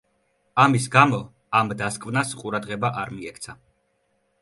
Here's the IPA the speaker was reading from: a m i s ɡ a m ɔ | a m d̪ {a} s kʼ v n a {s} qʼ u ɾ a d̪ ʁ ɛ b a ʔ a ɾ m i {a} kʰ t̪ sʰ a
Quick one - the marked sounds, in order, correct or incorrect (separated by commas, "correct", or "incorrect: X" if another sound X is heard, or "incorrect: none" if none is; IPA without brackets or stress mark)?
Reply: correct, correct, incorrect: ɛ